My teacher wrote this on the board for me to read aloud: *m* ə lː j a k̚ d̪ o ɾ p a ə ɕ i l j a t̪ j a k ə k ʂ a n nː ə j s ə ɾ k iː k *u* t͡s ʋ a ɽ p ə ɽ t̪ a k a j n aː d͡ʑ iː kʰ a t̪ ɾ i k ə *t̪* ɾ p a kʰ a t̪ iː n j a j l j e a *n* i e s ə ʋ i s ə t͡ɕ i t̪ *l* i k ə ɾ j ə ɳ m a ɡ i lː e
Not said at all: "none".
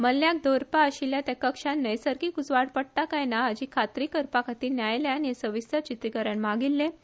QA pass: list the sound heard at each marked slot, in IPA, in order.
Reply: m, u, none, n, ɾ

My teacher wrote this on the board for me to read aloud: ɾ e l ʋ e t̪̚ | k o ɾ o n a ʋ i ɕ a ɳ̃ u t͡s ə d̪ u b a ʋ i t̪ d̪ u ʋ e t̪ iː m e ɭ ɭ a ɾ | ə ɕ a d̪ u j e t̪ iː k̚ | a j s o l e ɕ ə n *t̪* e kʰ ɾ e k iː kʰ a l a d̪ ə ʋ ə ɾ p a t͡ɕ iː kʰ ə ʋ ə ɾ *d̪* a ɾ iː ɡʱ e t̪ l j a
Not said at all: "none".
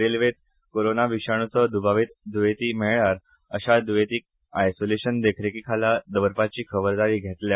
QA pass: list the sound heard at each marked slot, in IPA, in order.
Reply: d̪, d̪

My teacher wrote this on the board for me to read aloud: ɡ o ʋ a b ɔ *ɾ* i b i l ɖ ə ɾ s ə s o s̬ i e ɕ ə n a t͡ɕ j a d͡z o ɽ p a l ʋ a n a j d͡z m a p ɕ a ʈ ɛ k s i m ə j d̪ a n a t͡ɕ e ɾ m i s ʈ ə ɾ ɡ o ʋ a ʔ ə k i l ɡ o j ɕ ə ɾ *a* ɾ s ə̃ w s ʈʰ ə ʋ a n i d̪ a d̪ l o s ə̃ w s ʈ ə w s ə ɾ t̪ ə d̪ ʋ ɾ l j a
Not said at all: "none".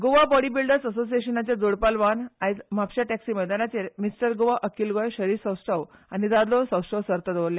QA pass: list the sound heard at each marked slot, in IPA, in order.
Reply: ɽ, i

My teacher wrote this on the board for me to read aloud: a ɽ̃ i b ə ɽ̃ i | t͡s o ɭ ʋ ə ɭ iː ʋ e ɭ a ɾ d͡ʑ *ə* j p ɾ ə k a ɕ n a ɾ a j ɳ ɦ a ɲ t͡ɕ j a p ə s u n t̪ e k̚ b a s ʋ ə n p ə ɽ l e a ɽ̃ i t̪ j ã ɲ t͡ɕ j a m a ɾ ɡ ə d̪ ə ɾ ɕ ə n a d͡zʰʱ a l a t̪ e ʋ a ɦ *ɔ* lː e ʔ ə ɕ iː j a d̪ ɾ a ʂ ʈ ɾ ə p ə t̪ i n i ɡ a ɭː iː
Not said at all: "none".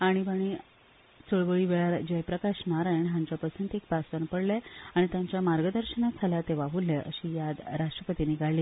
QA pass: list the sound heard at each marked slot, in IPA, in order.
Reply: ə, u

